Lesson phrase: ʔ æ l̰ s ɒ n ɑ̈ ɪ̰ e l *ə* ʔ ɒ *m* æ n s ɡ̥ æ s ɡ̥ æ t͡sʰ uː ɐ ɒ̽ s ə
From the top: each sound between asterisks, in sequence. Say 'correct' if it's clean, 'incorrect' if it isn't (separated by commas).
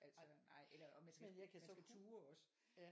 incorrect, correct